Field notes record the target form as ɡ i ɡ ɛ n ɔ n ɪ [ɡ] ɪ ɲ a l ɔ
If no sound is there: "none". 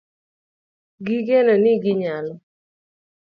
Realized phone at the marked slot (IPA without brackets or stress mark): ɡ